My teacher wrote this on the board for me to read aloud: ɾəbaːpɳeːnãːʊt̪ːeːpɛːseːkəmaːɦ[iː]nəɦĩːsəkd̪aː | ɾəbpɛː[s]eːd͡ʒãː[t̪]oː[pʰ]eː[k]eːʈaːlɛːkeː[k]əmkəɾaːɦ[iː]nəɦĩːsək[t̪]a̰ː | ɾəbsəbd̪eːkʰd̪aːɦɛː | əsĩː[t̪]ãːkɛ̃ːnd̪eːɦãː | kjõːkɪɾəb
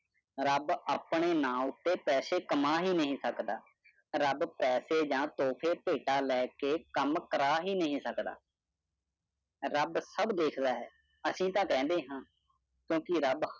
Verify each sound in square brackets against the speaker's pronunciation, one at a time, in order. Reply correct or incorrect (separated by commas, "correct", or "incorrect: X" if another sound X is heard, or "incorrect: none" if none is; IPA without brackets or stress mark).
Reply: correct, correct, correct, correct, incorrect: p, correct, correct, incorrect: d̪, correct